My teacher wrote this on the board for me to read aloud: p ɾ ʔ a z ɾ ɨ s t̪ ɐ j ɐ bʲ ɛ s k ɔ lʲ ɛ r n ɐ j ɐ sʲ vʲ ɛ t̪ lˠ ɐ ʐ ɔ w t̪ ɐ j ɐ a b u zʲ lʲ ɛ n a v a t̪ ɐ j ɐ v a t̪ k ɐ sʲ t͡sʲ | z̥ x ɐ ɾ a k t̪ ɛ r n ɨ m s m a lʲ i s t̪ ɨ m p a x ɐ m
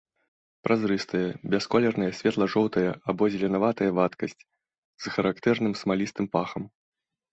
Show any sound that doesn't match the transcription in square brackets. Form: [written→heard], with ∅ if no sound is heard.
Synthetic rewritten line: p ɾ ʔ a z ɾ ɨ s t̪ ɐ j ɐ bʲ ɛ s k ɔ lʲ ɛ r n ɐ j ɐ sʲ vʲ ɛ t̪ lˠ ɐ ʐ ɔ w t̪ ɐ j ɐ a b [u→ɔ] zʲ lʲ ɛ n a v a t̪ ɐ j ɐ v a t̪ k ɐ sʲ t͡sʲ | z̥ x ɐ ɾ a k t̪ ɛ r n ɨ m s m a lʲ i s t̪ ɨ m p a x ɐ m